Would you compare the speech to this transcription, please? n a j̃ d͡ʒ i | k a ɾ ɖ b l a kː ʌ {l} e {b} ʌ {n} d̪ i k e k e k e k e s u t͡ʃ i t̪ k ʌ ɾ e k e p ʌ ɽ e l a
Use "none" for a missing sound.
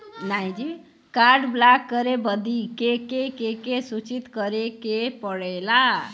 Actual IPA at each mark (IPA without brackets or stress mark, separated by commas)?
ɾ, b, none